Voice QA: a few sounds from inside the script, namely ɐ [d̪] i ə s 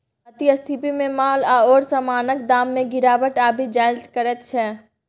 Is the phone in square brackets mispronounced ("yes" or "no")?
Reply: yes